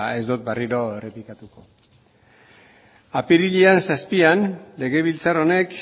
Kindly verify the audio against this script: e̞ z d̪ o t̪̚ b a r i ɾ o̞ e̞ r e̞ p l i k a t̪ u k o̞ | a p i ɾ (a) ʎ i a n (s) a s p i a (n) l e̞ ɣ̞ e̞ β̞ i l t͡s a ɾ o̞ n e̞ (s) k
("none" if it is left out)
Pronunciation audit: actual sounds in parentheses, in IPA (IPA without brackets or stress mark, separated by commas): i, s, n, none